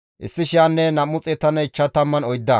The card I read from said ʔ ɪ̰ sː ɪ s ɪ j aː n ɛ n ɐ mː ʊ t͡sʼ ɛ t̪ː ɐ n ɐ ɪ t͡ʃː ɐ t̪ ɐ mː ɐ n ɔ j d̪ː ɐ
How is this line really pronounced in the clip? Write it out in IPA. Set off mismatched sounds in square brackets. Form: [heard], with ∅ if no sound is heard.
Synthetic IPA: ʔ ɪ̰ sː ɪ [ʃ] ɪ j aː [nː] ɛ n ɐ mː ʊ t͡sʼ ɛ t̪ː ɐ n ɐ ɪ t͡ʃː ɐ t̪ ɐ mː ɐ n ɔ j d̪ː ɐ